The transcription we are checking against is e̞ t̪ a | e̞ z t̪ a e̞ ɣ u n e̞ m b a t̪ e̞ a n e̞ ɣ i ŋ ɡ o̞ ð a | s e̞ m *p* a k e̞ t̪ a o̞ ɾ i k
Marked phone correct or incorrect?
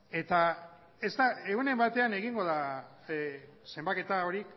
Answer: incorrect